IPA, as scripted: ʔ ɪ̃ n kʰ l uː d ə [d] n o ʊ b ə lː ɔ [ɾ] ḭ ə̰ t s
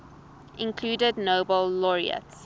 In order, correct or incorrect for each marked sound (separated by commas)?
correct, incorrect